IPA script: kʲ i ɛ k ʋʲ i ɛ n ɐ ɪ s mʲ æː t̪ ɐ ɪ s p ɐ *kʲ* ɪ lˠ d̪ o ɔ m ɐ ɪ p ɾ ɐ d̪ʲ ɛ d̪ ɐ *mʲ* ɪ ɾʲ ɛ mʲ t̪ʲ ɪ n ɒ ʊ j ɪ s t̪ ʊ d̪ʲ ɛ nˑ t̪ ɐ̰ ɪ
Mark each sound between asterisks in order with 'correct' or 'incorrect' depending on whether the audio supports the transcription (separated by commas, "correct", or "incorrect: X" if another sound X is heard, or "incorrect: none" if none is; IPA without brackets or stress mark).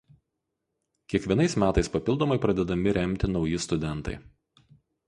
incorrect: pʲ, correct